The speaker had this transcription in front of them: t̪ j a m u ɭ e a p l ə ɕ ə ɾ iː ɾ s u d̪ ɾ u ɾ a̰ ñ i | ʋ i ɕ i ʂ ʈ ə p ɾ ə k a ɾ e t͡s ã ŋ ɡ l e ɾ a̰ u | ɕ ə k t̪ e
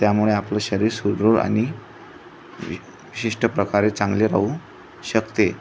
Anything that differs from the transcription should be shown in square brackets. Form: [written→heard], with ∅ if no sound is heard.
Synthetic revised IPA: t̪ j a m u ɭ e a p l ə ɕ ə ɾ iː ɾ s u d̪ ɾ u ɾ a̰ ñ i | ʋ i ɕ i ʂ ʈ ə p ɾ ə k a ɾ e t͡s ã ŋ ɡ l e ɾ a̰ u | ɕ ə k t̪ e